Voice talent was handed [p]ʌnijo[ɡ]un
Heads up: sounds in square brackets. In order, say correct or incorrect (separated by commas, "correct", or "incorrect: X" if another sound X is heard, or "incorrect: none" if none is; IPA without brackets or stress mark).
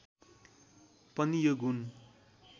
correct, correct